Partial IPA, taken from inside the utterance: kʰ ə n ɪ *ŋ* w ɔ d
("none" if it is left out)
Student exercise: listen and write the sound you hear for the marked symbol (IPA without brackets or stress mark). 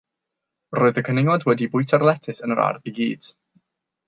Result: ŋ